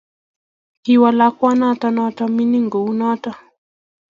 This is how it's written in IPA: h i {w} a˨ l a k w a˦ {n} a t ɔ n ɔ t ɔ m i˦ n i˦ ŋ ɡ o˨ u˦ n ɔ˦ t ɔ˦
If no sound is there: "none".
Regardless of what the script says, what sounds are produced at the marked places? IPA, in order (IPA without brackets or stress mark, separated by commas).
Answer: w, n